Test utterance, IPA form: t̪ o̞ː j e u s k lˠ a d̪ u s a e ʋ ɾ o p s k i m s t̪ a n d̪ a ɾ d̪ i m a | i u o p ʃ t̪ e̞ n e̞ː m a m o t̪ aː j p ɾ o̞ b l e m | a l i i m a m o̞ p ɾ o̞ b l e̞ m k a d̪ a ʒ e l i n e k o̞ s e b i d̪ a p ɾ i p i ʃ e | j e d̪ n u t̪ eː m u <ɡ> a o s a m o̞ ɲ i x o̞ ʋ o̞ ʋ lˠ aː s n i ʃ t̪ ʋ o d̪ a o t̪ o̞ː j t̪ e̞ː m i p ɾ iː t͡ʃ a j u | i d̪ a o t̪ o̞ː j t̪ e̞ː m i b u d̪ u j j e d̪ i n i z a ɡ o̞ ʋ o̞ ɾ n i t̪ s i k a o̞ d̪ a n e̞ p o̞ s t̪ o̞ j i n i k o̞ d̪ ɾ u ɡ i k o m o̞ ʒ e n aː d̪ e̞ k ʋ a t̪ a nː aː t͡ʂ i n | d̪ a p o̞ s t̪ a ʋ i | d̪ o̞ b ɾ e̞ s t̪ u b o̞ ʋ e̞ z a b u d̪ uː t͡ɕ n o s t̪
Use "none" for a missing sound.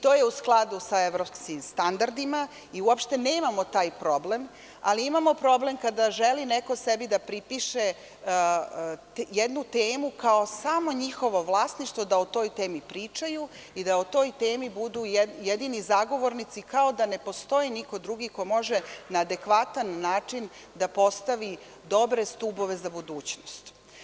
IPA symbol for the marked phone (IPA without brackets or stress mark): k